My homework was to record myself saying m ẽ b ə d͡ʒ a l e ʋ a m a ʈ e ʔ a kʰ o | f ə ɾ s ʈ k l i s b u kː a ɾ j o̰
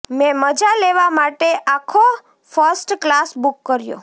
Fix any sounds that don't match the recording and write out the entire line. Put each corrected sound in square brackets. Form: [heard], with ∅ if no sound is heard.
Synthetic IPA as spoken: m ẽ [m] ə d͡ʒ a l e ʋ a m a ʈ e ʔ a kʰ o | f ə ɾ s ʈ k l [a] s b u kː [ə] ɾ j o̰